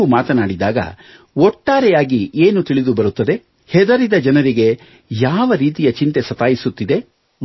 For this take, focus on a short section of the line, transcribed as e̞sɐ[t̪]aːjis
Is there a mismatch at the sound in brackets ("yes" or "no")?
no